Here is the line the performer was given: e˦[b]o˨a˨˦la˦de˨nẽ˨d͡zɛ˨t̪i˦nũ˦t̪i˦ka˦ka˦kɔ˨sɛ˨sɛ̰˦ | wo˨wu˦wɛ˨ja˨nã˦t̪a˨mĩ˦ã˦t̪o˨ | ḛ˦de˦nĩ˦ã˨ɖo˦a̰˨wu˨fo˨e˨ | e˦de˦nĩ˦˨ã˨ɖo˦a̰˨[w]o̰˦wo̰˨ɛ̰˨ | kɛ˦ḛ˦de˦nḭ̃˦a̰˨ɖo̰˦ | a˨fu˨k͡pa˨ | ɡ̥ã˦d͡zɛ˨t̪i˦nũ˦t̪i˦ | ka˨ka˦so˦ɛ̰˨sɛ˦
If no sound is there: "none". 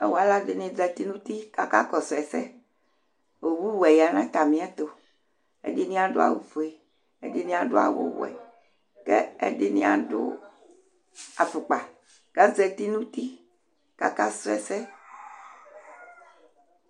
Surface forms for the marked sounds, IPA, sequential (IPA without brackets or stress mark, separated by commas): w, w